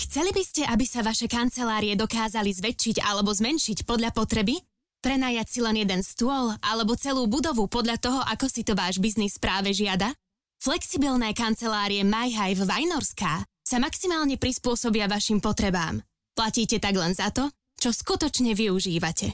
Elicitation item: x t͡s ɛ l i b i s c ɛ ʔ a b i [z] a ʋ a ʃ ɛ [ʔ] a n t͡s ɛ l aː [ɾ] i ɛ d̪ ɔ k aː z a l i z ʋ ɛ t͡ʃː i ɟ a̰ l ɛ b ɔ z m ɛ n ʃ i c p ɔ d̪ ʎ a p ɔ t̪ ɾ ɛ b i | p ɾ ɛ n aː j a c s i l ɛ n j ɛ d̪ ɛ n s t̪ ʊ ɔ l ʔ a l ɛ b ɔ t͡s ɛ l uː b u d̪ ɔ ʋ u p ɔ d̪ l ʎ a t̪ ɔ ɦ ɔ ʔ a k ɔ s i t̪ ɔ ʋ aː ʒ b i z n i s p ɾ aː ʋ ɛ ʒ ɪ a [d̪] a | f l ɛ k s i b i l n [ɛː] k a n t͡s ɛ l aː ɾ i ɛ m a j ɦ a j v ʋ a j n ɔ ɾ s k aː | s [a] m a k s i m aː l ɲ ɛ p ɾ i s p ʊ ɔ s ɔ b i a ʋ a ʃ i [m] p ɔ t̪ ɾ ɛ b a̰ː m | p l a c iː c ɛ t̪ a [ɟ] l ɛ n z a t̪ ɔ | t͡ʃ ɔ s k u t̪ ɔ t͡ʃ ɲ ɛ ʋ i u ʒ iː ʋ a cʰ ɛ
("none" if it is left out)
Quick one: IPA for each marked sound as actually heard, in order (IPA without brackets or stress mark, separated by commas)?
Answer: s, k, ɾ, d̪, ɛː, a, m, ɡ